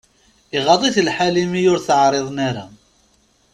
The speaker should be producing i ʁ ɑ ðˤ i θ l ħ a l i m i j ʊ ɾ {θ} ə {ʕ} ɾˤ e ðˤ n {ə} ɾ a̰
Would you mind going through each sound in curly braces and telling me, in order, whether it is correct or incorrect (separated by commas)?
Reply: correct, correct, incorrect